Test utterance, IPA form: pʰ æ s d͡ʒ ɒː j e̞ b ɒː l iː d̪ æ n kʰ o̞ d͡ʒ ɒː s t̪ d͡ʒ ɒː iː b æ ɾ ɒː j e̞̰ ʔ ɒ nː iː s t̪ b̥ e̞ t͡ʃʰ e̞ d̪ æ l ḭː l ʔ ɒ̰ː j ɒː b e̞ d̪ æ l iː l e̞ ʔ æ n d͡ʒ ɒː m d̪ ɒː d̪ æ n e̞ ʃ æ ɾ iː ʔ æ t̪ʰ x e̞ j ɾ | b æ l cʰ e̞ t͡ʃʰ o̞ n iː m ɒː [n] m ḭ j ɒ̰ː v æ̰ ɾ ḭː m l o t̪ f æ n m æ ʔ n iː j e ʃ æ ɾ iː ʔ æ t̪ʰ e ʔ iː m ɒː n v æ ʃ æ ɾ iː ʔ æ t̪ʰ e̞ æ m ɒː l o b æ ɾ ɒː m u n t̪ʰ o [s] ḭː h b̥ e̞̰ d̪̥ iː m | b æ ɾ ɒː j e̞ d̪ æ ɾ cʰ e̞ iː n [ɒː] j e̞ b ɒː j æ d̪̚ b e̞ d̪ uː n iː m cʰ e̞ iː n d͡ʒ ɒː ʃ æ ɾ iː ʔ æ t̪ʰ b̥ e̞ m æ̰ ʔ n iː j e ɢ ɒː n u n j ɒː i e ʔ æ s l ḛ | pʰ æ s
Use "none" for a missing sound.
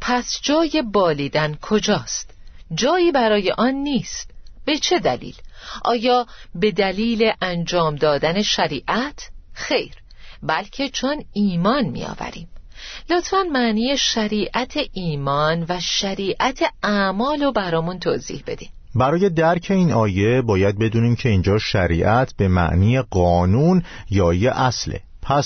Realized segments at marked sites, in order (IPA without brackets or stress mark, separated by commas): n, z, ɒː